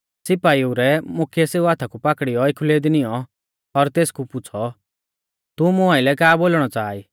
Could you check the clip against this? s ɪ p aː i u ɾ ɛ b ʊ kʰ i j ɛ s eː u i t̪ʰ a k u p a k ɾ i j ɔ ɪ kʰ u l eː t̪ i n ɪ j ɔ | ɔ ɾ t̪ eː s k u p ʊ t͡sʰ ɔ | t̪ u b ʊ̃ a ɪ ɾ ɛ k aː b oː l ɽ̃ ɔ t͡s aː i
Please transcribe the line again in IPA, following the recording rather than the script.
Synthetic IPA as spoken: s ɪ p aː i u ɾ ɛ m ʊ kʰ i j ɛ s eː u a t̪ʰ a k u p a k ɽ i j ɔ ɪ kʰ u l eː d̪ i n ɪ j ɔ | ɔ ɾ t̪ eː s k u p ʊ t͡sʰ ɔ | t̪ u m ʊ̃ a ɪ l ɛ k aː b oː l ɽ̃ ɔ t͡s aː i